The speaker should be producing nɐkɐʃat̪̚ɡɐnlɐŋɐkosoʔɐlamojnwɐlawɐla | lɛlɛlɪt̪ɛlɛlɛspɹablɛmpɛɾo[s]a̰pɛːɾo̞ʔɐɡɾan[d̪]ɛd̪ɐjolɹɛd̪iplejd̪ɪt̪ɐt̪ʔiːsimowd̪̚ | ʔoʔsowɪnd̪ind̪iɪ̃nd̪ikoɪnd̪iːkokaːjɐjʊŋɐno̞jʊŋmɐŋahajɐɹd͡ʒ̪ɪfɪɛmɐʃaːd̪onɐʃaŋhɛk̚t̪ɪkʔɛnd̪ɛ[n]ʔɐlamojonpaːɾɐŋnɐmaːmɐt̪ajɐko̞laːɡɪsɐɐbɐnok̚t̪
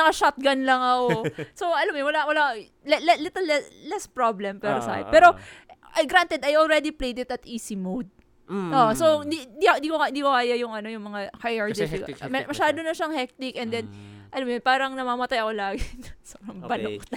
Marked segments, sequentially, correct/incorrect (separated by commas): correct, incorrect, correct